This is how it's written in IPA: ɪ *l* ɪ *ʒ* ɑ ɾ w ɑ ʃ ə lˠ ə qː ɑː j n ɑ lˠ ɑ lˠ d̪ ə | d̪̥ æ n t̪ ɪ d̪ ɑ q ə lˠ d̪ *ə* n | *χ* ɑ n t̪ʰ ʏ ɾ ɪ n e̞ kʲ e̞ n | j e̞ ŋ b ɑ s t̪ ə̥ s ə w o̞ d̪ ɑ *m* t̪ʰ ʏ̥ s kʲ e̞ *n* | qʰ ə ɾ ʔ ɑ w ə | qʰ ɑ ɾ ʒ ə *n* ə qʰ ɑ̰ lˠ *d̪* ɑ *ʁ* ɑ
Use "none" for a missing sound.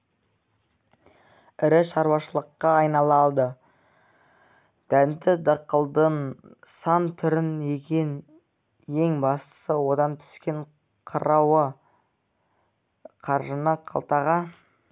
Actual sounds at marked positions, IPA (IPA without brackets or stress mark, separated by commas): ɾ, ʃ, ə, s, n, ɴ, n, t̪, ʁ